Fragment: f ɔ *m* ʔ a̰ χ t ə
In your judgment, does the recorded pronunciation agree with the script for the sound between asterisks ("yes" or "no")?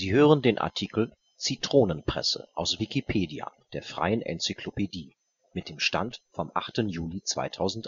yes